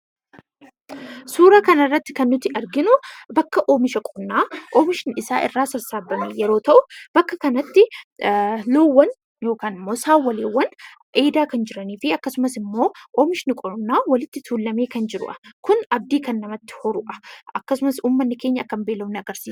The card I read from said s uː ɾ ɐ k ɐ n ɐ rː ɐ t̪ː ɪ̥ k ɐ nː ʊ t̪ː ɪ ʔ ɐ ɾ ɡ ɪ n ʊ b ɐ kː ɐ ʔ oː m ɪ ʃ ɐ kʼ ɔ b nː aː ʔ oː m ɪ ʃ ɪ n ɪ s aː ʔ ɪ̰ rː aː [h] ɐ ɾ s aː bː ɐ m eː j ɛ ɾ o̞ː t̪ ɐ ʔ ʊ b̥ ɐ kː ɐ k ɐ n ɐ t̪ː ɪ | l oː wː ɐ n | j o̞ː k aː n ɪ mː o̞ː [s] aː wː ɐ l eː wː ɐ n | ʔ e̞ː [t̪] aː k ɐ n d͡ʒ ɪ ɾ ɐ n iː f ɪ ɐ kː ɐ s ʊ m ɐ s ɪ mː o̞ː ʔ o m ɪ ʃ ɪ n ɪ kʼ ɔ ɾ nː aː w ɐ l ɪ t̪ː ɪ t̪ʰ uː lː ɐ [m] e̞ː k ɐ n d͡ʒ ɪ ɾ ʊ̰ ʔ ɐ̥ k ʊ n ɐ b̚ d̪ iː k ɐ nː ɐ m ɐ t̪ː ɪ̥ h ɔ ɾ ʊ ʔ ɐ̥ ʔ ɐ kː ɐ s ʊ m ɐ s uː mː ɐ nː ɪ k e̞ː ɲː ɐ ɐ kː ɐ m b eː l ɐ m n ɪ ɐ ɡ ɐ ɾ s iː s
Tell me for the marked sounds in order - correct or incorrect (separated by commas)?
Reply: incorrect, correct, incorrect, correct